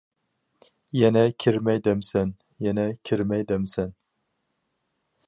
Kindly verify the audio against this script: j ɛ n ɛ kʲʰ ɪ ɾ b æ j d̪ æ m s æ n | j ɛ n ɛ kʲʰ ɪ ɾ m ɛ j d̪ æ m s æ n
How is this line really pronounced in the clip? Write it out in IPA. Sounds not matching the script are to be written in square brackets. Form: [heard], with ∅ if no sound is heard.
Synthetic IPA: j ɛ n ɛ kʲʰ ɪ ɾ [m] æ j d̪ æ m s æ n | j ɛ n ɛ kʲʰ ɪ ɾ m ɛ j d̪ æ m s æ n

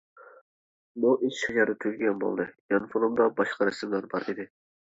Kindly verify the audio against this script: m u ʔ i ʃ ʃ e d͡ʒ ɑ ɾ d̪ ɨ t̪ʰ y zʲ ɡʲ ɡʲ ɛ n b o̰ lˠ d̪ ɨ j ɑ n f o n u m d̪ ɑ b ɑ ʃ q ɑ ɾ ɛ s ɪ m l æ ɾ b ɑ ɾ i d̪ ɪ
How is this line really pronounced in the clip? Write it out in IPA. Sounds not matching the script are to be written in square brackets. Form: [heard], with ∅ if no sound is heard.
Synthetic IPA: m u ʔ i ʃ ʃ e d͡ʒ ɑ ɾ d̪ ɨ t̪ʰ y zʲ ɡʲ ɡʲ ɛ n b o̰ lˠ d̪ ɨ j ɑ n f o n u m d̪ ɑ b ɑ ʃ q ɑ ɾ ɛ s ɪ m l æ ɾ b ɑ ɾ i d̪ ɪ

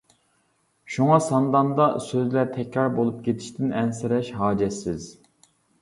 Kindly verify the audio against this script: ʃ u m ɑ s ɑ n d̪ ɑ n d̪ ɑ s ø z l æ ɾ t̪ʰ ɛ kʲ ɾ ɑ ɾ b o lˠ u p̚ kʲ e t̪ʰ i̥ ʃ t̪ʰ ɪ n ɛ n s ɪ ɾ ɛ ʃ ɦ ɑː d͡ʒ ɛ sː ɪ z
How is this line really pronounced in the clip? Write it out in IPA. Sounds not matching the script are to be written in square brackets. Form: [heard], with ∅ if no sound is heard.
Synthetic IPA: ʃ u [ŋ] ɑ s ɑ n d̪ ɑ n d̪ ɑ s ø z l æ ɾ t̪ʰ ɛ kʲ ɾ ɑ ɾ b o lˠ u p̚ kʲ e t̪ʰ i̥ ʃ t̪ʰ ɪ n ɛ n s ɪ ɾ ɛ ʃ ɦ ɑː d͡ʒ ɛ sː ɪ z

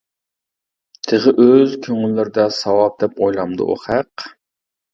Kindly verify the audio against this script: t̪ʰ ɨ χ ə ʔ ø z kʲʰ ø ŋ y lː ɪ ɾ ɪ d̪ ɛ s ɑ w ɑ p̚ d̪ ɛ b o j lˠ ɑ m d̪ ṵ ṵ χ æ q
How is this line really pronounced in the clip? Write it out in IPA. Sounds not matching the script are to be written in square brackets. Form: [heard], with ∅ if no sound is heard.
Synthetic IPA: t̪ʰ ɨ [ʁ] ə ʔ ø z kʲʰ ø ŋ y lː ɪ ɾ ɪ d̪ ɛ s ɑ w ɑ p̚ d̪ ɛ [p] o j lˠ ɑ m d̪ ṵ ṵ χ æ q

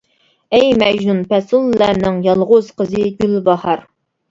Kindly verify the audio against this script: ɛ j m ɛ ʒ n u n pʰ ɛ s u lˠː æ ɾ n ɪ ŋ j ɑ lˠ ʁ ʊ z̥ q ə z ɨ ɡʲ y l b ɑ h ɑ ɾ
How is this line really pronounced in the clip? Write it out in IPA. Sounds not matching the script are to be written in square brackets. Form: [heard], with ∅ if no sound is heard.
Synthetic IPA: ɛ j m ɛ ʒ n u n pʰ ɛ s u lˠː æ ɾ n ɪ ŋ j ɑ lˠ ʁ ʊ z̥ q ə z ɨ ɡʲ y l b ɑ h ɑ ɾ

